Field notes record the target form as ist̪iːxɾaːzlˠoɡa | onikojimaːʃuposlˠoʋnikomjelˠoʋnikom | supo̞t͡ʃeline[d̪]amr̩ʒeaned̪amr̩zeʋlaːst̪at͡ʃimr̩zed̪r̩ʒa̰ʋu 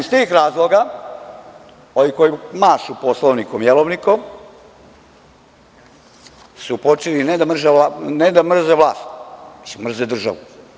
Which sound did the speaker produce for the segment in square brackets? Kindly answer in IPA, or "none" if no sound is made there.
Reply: d̪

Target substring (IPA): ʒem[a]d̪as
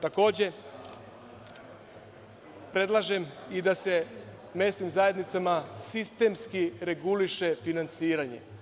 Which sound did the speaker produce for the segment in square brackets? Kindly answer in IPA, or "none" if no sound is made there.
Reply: i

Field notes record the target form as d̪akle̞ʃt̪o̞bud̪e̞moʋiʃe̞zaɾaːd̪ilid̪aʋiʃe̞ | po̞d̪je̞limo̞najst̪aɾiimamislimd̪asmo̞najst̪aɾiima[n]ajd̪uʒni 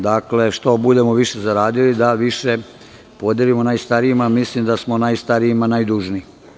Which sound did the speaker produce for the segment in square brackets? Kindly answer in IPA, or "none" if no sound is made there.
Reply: n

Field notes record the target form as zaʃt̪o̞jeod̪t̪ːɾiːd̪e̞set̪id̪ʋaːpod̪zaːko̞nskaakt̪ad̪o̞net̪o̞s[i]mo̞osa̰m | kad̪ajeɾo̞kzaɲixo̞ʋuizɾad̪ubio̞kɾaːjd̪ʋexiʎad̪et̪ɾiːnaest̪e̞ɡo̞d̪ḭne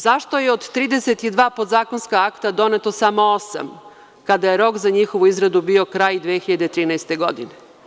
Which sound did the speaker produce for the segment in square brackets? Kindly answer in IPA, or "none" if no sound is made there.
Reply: a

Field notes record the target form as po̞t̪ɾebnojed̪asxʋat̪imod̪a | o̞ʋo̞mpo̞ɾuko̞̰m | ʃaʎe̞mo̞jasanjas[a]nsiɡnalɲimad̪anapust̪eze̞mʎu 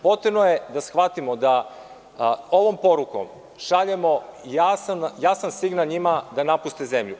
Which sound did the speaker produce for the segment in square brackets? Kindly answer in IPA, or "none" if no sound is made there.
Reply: a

